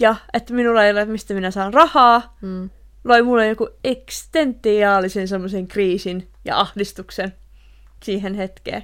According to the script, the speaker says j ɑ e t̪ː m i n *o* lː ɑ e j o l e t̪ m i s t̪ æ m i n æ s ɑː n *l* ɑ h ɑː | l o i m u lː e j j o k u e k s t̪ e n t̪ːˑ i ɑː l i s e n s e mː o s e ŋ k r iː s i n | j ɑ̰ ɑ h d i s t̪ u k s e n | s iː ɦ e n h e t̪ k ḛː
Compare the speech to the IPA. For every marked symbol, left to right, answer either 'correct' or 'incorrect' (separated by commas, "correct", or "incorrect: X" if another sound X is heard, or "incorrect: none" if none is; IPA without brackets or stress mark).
incorrect: u, incorrect: r